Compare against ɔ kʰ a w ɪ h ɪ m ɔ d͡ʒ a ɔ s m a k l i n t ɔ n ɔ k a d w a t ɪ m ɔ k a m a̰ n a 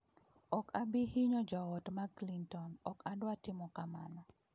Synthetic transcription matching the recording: ɔ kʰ a b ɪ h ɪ ɲ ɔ d͡ʒ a ɔ t m a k l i n t ɔ n ɔ k a d w a t ɪ m ɔ k a m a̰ n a